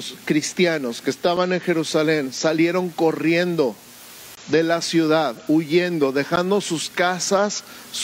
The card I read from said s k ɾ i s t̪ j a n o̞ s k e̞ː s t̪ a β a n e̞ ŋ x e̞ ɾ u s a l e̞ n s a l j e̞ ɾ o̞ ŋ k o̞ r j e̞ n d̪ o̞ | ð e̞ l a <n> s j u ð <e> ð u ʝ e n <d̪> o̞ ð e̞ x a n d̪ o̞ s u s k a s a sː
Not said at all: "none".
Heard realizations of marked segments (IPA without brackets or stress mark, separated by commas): none, a, d̪